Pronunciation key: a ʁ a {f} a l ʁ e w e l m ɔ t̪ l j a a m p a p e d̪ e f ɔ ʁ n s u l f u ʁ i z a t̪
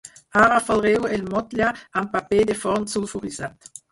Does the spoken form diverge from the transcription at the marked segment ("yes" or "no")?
no